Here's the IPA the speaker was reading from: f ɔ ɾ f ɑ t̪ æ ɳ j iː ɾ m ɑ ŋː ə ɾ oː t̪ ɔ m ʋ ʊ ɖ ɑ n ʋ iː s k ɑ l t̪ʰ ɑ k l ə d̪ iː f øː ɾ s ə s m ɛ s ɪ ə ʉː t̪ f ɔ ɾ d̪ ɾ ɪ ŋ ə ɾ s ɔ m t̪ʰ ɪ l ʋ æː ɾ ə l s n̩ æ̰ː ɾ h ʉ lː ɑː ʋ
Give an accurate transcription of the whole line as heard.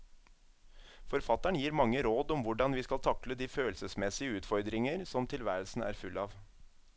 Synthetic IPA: f ɔ ɾ f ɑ t̪ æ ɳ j iː ɾ m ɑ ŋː ə ɾ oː d̪ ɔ m ʋ ʊ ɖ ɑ n ʋ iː s k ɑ l t̪ʰ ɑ k l ə d̪ iː f øː l s ə s m ɛ s ɪ ə ʉː t̪ f ɔ ɾ d̪ ɾ ɪ ŋ ə ɾ s ɔ m t̪ʰ ɪ l ʋ æː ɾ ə l s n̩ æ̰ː ɾ f ʉ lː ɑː ʋ